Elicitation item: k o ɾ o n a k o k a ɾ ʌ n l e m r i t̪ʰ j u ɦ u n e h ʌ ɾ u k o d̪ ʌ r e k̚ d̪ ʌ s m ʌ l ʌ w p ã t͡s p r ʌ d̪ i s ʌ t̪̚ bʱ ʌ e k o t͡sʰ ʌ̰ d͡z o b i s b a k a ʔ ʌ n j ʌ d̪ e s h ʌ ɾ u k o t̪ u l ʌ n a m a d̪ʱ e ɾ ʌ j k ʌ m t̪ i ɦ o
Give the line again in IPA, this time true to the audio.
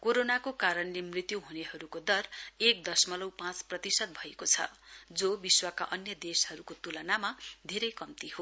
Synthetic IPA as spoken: k o ɾ o n a k o k a ɾ ʌ n l e m r i t̪ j u ɦ u n e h ʌ ɾ u k o d̪ ʌ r e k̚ d̪ ʌ s m ʌ l ʌ w p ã t͡s p r ʌ t̪ i s ʌ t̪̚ bʱ ʌ e k o t͡sʰ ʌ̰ d͡z o b i s w a k a ʔ ʌ n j ʌ d̪ e s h ʌ ɾ u k o t̪ u l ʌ n a m a d̪ʱ e ɾ ʌ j k ʌ m t̪ i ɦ o